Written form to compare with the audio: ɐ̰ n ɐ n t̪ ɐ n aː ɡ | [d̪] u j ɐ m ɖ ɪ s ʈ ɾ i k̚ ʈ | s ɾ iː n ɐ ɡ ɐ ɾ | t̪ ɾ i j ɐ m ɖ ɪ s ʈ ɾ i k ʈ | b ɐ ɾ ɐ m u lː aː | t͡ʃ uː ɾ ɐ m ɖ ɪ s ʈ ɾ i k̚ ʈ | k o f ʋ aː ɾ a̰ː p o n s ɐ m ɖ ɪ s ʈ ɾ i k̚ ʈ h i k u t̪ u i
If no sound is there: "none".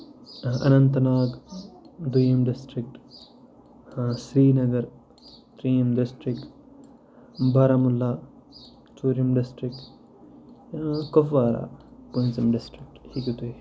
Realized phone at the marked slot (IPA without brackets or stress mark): d̪